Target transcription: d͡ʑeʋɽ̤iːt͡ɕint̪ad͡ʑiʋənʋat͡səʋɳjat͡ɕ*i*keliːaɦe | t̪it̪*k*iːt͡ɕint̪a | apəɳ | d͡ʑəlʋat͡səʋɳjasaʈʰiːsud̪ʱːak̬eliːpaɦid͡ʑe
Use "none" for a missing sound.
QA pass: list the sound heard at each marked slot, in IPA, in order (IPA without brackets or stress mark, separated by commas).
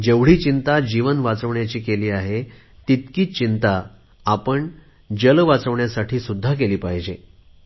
iː, k